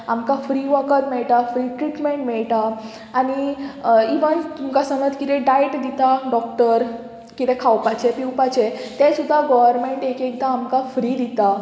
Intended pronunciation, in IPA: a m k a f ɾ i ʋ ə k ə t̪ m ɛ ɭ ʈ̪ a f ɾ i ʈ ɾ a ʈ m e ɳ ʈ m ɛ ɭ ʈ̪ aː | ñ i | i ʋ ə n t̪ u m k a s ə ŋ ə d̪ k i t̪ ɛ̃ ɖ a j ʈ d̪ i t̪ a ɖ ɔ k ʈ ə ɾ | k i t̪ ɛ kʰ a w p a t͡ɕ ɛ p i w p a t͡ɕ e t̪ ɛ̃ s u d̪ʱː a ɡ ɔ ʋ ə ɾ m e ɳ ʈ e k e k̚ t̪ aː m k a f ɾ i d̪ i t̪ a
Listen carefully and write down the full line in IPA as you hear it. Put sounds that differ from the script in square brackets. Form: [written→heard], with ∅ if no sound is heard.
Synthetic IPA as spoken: a m k a f ɾ i ʋ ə k ə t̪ m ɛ ɭ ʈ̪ a f ɾ i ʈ ɾ [a→i] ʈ m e ɳ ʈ m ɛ ɭ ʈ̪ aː | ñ i | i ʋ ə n t̪ u m k a s ə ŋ ə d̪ k i t̪ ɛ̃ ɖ a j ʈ d̪ i t̪ a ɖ ɔ k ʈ ə ɾ | k i t̪ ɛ kʰ a w p a t͡ɕ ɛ p i w p a t͡ɕ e t̪ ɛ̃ s u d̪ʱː a ɡ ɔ ʋ ə ɾ m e ɳ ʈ e k e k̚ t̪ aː m k a f ɾ i d̪ i t̪ a